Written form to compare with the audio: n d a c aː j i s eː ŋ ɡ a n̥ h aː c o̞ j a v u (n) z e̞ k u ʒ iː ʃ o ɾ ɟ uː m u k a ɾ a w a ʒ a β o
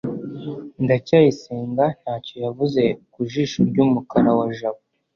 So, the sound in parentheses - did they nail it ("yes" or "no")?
no